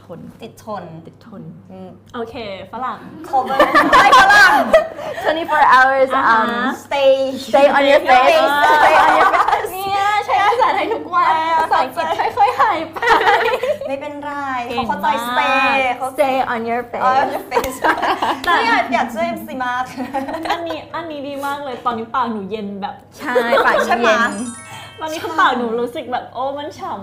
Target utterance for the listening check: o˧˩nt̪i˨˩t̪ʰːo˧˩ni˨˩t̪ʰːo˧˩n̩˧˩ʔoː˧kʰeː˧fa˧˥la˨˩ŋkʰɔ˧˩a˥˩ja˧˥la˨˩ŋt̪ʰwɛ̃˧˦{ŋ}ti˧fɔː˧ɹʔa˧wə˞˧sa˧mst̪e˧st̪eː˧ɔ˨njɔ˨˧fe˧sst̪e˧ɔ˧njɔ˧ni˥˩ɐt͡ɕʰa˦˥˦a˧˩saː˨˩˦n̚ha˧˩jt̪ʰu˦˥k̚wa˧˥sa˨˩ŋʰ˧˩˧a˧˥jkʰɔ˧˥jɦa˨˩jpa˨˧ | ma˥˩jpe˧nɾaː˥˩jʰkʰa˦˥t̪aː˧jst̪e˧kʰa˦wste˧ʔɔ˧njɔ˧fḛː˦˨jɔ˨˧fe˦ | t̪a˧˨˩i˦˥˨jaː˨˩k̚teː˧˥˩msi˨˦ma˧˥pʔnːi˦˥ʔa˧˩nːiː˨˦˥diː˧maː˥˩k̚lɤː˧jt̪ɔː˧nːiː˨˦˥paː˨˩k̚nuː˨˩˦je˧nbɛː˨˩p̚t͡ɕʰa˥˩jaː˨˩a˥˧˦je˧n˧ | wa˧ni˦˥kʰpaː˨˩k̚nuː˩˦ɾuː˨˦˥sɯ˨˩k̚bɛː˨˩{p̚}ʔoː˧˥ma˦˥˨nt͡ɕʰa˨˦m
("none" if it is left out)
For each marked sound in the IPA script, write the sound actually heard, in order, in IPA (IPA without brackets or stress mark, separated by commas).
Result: n, p̚